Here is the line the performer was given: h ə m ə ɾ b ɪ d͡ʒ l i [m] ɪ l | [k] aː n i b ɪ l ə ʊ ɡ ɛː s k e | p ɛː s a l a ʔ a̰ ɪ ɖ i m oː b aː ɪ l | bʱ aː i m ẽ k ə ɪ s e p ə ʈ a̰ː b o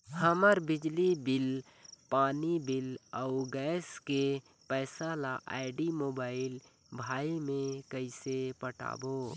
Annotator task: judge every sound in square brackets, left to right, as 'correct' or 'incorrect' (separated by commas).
incorrect, incorrect